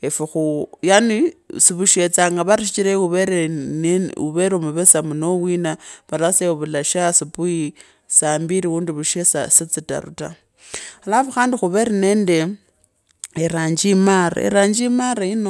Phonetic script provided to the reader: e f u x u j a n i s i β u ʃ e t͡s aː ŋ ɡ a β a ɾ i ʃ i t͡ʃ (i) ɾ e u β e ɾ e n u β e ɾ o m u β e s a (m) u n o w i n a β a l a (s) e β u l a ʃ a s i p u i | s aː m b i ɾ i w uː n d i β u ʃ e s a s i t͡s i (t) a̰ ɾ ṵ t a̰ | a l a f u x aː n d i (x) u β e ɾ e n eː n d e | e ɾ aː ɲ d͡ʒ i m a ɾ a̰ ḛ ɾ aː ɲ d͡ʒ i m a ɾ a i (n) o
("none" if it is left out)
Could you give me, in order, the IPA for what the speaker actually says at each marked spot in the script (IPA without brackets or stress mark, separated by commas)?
i, m, s, t, x, n